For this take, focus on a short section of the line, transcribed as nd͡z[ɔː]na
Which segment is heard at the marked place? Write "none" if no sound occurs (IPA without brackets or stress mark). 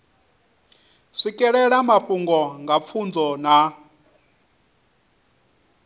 ɔ